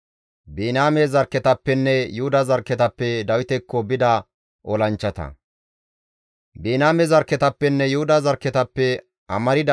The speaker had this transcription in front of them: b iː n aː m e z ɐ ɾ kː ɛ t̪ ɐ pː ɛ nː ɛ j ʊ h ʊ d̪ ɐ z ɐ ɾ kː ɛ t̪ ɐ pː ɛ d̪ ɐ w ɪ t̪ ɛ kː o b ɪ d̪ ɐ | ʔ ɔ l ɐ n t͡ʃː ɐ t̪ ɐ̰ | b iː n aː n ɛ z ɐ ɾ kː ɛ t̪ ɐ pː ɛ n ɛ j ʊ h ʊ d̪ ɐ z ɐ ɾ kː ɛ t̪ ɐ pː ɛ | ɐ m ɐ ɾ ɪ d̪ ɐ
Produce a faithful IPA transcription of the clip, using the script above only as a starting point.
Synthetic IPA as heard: b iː n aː m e z ɐ ɾ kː ɛ t̪ ɐ pː ɛ nː ɛ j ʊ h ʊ d̪ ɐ z ɐ ɾ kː ɛ t̪ ɐ pː ɛ d̪ ɐ w ɪ t̪ ɛ kː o b ɪ d̪ ɐ | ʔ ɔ l ɐ n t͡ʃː ɐ t̪ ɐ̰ | b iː n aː m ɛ z ɐ ɾ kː ɛ t̪ ɐ pː ɛ nː ɛ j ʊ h ʊ d̪ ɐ z ɐ ɾ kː ɛ t̪ ɐ pː ɛ | ɐ m ɐ ɾ ɪ d̪ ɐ